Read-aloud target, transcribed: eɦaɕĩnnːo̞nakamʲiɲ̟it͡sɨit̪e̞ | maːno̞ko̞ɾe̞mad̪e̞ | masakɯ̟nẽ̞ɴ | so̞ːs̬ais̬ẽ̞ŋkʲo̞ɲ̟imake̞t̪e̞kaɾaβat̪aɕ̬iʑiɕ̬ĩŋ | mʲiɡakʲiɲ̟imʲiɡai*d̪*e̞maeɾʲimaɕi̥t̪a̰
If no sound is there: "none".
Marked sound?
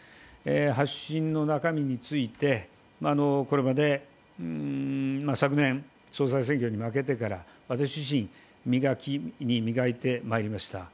t̪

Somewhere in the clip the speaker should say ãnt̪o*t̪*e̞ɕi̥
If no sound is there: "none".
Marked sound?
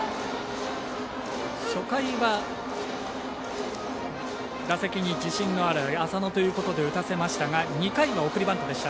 d̪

